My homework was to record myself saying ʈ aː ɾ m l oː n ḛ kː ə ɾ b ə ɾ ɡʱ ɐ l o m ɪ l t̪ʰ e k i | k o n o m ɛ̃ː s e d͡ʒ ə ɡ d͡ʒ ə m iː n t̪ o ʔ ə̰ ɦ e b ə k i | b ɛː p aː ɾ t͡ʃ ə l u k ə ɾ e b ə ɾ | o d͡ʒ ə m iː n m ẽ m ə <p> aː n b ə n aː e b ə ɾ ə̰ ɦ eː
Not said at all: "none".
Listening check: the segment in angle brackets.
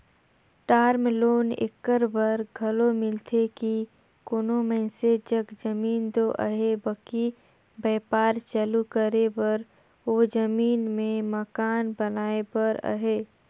k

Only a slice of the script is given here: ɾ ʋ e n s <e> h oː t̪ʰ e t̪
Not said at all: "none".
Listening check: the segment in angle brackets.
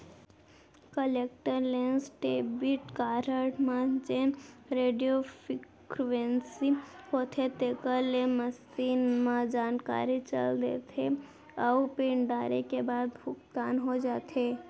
i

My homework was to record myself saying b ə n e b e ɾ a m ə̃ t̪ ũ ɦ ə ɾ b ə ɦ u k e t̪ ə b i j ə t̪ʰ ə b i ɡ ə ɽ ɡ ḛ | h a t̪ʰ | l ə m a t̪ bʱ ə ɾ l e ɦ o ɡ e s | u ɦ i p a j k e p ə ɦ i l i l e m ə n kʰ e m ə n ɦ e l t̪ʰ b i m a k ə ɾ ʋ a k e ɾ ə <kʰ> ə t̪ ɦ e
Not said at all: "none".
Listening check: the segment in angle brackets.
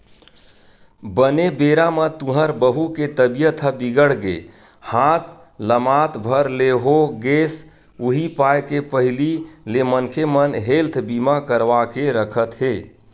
kʰ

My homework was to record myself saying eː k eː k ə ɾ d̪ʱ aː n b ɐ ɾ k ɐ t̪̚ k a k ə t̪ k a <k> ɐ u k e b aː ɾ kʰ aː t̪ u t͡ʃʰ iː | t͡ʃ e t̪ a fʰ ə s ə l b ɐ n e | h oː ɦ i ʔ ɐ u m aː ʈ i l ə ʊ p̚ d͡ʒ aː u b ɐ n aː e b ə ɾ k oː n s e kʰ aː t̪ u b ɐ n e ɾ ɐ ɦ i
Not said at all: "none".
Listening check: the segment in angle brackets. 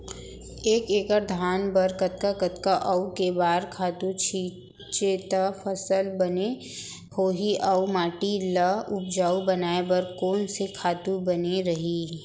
ʔ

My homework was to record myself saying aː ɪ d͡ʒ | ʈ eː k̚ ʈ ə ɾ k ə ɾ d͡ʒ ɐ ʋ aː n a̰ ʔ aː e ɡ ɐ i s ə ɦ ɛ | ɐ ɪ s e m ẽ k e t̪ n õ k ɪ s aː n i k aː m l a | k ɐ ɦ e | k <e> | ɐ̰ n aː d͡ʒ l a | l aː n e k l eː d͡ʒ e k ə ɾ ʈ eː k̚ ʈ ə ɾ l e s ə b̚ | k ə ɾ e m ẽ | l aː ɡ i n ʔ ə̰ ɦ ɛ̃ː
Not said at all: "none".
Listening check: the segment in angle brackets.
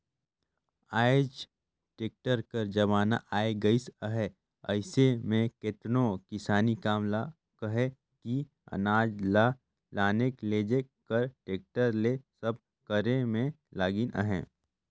i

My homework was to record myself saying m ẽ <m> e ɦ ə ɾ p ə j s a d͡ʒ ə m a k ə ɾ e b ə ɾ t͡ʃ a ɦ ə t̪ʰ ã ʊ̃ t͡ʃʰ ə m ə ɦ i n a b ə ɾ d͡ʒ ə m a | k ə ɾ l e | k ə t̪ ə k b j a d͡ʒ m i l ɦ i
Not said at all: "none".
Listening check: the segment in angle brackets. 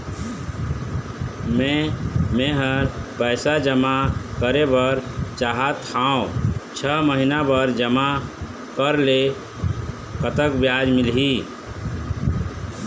m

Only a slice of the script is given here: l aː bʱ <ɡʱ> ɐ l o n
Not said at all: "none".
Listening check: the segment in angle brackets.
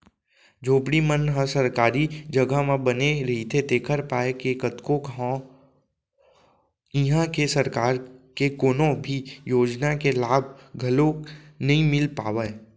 ɡʱ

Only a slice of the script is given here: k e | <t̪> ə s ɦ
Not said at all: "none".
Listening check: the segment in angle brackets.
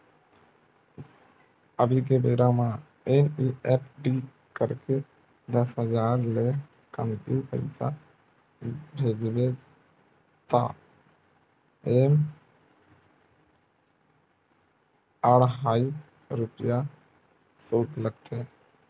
d̪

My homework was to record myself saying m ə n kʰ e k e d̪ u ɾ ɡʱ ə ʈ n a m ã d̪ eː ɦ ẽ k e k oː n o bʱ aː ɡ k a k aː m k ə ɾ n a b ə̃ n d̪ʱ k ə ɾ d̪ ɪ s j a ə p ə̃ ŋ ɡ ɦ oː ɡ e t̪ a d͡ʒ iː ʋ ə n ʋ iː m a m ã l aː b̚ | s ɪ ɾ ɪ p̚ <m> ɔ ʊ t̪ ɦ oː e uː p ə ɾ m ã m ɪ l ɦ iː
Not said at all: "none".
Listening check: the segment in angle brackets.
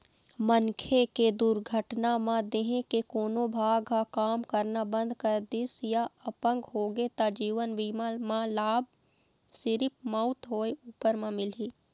m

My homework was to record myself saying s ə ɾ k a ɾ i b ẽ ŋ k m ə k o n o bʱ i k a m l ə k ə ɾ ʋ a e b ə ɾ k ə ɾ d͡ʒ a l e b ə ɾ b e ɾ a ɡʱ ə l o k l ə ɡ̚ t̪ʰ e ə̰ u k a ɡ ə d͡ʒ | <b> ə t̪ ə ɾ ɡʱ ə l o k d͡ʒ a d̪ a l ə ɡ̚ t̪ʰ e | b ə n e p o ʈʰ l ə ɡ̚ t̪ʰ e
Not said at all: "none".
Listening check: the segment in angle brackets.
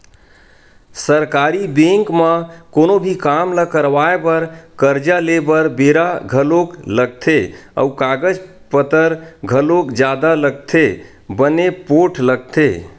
p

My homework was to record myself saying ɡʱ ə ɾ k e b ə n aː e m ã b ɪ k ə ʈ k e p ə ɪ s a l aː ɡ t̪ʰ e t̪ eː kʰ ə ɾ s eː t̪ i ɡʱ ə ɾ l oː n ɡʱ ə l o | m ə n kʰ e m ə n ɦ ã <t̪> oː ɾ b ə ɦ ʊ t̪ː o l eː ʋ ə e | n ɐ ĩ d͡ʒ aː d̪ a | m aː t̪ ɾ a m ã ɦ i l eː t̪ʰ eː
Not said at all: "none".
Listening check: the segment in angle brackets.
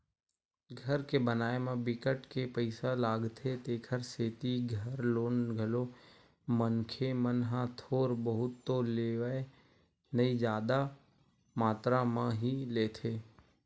t̪ʰ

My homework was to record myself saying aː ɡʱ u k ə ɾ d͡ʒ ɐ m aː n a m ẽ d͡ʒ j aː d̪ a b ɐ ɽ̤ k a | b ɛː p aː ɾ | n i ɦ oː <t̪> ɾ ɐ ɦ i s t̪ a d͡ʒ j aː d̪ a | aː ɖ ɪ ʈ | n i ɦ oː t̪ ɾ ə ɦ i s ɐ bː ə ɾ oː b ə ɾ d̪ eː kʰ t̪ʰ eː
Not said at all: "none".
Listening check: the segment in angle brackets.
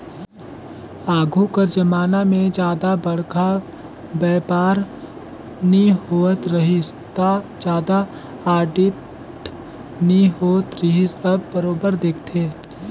t̪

